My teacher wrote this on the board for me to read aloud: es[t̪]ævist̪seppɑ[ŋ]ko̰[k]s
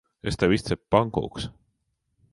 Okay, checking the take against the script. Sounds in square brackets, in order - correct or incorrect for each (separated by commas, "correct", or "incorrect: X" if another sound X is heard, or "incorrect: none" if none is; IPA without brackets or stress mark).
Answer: correct, correct, correct